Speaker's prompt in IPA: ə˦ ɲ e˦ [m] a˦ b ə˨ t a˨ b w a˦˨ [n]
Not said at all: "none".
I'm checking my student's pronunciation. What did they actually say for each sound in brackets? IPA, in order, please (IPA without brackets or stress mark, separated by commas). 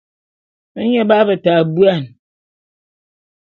b, n